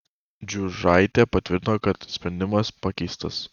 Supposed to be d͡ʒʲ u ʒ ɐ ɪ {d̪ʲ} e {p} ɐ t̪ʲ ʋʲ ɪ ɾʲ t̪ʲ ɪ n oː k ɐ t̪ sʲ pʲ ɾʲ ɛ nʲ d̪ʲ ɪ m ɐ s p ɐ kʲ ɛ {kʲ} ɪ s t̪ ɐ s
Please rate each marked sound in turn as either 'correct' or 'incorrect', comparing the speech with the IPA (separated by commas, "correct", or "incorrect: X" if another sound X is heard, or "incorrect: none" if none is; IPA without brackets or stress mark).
incorrect: t̪ʲ, correct, incorrect: none